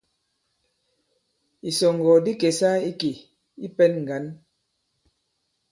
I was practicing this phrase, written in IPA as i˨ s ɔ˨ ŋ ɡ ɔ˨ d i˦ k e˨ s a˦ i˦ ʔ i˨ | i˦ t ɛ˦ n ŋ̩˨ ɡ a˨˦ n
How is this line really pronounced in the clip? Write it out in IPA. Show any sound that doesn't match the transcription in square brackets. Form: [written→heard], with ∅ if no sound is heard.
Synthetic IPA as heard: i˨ s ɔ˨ ŋ ɡ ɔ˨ d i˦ k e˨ s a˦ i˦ [ʔ→k] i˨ | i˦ [t→p] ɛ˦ n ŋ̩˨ ɡ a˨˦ n